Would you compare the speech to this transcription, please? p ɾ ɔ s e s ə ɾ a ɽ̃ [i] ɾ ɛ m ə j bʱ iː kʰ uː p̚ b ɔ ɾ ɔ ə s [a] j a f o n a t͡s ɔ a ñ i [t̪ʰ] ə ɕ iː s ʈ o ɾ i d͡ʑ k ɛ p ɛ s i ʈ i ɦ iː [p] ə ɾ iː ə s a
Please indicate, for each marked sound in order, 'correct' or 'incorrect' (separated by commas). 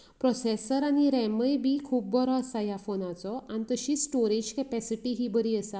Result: correct, correct, incorrect, incorrect